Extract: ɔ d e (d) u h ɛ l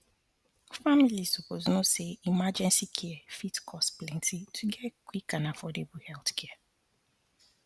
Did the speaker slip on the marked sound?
yes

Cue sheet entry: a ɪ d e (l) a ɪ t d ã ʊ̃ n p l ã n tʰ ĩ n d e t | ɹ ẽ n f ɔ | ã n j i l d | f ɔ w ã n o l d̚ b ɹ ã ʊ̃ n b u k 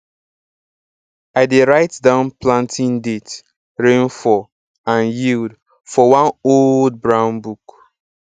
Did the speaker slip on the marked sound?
yes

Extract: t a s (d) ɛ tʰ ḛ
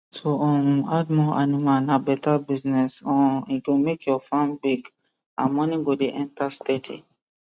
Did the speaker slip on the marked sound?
yes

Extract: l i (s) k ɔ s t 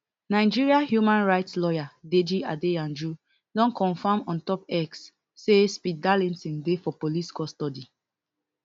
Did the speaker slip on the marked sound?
no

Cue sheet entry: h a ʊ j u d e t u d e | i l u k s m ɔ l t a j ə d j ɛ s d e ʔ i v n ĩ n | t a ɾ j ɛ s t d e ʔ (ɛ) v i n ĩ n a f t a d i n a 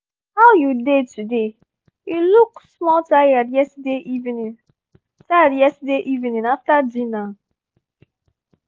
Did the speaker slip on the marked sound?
yes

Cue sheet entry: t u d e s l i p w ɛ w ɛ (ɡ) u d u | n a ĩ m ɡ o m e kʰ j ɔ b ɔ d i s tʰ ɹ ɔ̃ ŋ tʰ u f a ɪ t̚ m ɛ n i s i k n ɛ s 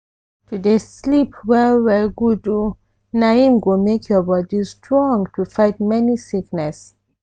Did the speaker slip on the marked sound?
no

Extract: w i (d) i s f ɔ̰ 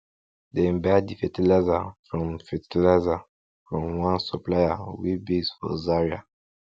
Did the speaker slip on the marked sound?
yes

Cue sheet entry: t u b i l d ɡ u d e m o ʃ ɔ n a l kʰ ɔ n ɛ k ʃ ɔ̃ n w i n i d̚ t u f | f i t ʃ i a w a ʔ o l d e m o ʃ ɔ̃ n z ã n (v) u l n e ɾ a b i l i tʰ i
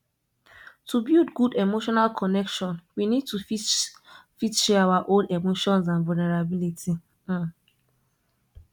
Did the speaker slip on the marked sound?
no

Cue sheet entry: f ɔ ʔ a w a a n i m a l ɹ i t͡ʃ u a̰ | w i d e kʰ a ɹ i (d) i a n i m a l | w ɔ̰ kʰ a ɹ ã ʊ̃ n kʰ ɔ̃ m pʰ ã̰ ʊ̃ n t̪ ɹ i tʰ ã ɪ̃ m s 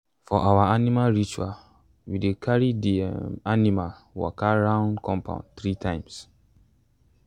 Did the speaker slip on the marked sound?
no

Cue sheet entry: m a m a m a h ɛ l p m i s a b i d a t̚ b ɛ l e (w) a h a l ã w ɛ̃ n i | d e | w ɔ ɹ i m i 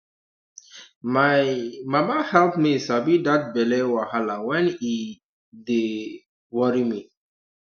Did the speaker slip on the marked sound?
no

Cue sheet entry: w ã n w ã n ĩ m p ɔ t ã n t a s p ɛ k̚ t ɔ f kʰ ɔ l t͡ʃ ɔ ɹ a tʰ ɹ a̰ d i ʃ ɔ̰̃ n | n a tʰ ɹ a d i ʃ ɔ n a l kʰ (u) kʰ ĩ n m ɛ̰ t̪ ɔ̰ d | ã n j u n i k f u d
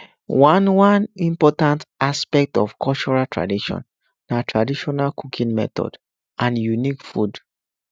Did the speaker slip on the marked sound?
no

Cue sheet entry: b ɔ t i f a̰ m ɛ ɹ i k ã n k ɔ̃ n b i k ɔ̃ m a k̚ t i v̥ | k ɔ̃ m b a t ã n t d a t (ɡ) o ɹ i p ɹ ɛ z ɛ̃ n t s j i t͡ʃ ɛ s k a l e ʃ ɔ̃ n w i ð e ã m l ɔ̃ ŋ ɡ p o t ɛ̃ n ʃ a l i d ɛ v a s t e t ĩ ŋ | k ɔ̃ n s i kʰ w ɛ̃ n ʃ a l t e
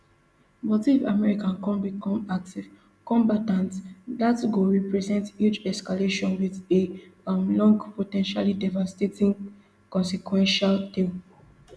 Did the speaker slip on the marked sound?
no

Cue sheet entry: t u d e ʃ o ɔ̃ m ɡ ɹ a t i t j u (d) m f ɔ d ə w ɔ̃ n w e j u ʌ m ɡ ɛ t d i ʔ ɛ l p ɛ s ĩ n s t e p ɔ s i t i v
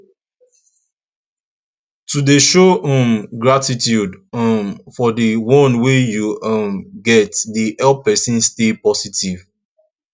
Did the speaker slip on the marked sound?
no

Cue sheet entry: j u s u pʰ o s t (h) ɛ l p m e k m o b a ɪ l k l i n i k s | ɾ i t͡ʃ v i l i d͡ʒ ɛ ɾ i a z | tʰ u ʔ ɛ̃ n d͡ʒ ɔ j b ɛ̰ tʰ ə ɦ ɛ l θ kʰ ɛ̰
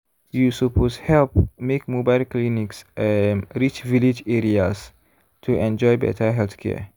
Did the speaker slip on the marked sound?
no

